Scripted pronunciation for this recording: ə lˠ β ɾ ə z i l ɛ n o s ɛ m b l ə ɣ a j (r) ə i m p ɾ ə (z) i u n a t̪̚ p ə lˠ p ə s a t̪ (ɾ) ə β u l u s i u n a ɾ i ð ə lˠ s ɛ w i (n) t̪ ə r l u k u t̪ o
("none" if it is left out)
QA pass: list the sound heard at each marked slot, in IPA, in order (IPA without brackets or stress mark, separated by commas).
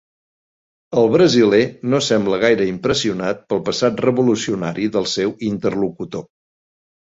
ɾ, s, r, n